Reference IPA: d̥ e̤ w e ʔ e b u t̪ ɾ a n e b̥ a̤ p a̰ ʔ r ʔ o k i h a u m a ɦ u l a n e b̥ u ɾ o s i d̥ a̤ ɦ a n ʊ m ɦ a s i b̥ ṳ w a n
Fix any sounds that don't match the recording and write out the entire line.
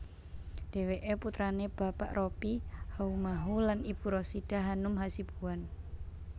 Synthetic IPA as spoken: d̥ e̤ w e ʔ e p u t̪ ɾ a n e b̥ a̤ p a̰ ʔ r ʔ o p i h a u m a ɦ u l a n i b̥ u ɾ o s i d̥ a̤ ɦ a n ʊ m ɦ a s i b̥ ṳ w a n